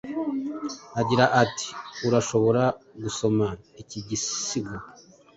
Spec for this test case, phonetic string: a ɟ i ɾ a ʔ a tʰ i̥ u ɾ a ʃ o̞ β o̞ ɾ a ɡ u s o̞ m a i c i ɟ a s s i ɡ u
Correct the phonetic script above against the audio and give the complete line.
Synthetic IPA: a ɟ i ɾ a ʔ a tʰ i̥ u ɾ a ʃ o̞ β o̞ ɾ a ɡ u s o̞ m a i c i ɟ i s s i ɡ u